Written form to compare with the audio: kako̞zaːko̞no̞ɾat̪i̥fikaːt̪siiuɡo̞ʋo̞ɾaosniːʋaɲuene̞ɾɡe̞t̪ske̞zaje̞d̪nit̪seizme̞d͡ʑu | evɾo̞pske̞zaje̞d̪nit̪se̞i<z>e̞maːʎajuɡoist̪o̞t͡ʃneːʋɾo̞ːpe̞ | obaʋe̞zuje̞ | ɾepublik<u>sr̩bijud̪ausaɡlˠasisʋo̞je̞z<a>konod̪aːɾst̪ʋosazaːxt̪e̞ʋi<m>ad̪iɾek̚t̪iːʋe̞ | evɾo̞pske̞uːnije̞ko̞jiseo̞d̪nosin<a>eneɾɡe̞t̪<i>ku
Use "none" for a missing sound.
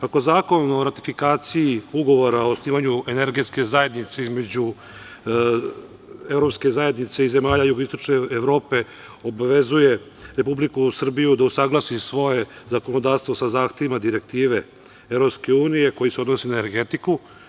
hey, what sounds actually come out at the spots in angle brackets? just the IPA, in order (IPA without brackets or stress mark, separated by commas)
z, u, a, m, a, i